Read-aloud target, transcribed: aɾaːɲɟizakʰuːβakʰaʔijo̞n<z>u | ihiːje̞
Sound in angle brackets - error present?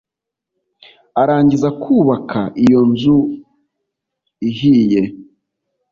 no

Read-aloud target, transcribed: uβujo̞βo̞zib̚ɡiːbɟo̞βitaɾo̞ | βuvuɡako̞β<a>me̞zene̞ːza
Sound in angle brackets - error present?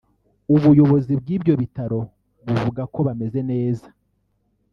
no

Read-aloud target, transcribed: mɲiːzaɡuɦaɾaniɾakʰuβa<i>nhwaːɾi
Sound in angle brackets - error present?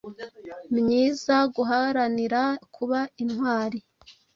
no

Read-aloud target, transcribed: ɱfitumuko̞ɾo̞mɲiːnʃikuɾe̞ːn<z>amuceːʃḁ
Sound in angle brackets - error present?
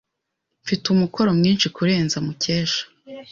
no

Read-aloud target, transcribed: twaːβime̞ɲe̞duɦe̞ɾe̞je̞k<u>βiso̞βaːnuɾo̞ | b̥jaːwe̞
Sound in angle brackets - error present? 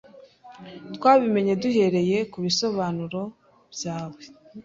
no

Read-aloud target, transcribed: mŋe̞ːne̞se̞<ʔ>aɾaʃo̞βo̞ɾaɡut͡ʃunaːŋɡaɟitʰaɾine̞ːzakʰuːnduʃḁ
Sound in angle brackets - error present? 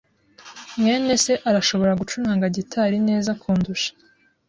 no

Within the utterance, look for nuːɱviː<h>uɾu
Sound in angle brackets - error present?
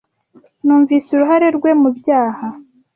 yes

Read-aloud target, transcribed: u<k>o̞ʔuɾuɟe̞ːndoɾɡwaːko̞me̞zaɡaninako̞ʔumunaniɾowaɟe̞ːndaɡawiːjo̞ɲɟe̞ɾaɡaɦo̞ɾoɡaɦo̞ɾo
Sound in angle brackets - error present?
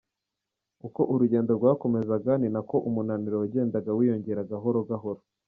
no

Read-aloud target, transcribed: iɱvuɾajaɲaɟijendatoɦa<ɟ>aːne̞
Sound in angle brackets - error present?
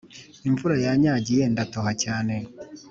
yes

